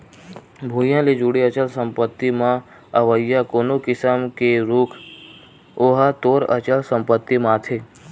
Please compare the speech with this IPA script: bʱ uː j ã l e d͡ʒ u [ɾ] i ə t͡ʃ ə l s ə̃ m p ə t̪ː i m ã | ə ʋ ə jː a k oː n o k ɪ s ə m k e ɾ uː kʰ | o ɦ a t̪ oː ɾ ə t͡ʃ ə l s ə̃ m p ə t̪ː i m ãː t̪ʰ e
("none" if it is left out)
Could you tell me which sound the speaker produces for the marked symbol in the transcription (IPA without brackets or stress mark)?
ɽ